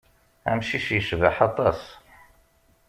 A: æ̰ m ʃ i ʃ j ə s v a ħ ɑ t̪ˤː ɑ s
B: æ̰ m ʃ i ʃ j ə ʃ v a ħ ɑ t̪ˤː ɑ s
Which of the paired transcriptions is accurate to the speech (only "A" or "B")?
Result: B